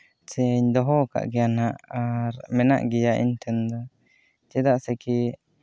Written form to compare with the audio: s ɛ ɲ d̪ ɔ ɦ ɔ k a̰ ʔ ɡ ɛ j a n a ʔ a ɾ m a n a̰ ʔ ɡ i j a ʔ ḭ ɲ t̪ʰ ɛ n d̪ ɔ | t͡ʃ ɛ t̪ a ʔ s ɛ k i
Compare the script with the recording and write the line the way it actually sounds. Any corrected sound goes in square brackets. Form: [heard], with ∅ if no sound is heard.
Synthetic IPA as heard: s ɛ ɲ d̪ ɔ ɦ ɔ k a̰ ʔ ɡ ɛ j a n a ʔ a ɾ m [ɛ] n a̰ ʔ ɡ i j a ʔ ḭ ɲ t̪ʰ ɛ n d̪ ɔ | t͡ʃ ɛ [d̪] a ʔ s ɛ k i